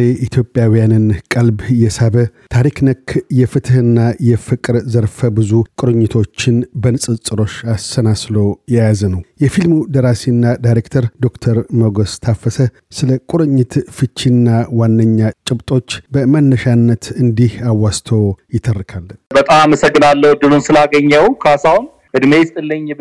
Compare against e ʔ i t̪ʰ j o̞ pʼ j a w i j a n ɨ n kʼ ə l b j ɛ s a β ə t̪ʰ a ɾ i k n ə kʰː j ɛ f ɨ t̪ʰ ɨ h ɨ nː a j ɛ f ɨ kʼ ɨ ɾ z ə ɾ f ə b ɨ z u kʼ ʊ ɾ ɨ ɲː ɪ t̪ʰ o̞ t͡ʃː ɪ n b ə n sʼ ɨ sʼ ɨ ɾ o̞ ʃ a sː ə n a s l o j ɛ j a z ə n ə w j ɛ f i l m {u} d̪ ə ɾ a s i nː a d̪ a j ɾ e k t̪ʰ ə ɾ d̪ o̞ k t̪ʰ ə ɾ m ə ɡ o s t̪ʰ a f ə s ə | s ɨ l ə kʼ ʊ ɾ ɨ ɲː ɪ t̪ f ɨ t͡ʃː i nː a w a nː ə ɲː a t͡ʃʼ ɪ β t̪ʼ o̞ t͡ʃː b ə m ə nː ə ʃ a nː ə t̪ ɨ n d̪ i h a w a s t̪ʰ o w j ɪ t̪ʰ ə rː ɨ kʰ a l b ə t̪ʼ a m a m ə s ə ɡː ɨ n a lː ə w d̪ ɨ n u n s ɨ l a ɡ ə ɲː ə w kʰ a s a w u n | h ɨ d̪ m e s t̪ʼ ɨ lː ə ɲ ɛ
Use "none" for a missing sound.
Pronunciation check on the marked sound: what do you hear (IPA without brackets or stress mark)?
u